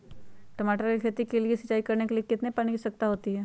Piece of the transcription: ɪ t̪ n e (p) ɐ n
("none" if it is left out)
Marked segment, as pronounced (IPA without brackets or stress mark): p